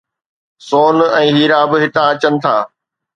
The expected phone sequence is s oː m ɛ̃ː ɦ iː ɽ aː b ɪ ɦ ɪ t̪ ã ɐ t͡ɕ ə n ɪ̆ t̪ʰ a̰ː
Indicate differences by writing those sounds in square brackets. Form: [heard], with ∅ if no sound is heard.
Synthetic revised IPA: s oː [n] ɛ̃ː ɦ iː [ɾ] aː b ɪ ɦ ɪ t̪ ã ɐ t͡ɕ ə n ɪ̆ t̪ʰ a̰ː